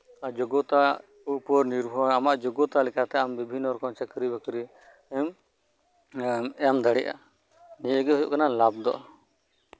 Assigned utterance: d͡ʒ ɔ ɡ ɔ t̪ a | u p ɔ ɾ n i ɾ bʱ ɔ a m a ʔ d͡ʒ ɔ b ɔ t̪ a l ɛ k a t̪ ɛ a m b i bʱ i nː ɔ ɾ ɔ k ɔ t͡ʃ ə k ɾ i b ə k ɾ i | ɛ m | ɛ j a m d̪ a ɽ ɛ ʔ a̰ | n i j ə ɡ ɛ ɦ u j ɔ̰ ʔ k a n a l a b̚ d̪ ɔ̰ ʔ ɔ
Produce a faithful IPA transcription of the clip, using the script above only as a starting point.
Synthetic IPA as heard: d͡ʒ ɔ ɡ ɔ t̪ a | u p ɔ ɾ n i ɾ bʱ ɔ a m a ʔ d͡ʒ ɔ ɡ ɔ t̪ a l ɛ k a t̪ ɛ a m b i bʱ i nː ɔ ɾ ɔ k ɔ t͡ʃ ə k ɾ i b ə k ɾ i | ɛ m | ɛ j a m d̪ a ɽ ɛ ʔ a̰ | n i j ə ɡ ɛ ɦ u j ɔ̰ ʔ k a n a l a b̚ d̪ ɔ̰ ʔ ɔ